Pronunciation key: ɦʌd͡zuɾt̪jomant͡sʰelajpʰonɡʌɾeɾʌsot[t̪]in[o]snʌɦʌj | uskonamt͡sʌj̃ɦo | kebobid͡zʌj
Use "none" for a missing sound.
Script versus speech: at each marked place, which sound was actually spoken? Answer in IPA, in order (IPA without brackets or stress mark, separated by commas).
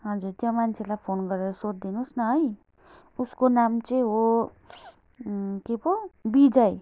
d̪, u